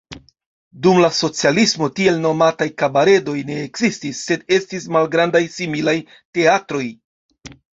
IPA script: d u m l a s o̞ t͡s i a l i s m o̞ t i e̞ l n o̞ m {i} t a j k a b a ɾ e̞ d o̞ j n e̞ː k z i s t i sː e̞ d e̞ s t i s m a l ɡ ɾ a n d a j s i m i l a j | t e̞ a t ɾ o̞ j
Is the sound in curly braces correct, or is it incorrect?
incorrect